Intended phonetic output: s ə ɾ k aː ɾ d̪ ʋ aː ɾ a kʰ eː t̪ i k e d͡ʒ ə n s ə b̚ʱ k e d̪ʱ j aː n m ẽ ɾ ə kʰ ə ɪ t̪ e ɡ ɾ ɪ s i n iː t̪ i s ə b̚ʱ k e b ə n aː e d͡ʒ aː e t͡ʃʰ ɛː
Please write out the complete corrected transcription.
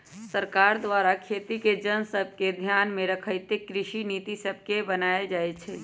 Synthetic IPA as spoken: s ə ɾ k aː ɾ d̪ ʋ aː ɾ a kʰ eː t̪ i k e d͡ʒ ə n s ə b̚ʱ k e d̪ʱ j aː n m ẽ ɾ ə kʰ ə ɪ t̪ e k ɾ ɪ ʃ i n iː t̪ i s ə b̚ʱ k e b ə n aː e d͡ʒ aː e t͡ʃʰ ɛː